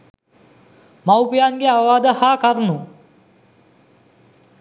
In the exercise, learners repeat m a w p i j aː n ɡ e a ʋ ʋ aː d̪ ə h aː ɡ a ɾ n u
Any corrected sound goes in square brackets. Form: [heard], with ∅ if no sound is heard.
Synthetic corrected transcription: m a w p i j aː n ɡ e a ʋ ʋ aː d̪ ə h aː [k] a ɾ n u

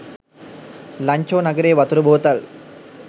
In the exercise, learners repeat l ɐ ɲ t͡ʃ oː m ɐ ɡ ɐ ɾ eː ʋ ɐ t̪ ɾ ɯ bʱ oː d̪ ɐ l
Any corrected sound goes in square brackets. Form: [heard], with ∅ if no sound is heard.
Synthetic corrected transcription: l ɐ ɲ t͡ʃ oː [n] ɐ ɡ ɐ ɾ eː ʋ ɐ t̪ ɾ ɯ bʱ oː [t̪] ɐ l

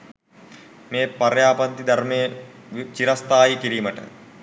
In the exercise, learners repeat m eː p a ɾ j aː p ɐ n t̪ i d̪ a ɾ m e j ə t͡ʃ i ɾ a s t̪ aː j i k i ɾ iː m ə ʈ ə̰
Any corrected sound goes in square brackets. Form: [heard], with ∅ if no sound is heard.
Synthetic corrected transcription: m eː p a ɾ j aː p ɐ n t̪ i d̪ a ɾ m e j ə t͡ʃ i ɾ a s t̪ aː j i k i ɾ iː m ə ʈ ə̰

